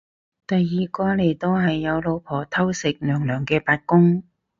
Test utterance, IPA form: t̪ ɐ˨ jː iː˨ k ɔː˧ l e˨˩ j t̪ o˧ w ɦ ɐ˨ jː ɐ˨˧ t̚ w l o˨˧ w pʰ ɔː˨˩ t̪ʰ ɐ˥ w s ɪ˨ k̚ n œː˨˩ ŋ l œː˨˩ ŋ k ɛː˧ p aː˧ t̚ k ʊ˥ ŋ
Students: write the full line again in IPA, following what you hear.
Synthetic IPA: t̪ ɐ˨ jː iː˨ k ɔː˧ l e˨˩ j t̪ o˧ w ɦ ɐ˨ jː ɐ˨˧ w l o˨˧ w pʰ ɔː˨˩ t̪ʰ ɐ˥ w s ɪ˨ k̚ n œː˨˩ ŋ l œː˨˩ ŋ k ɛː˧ p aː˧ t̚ k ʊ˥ ŋ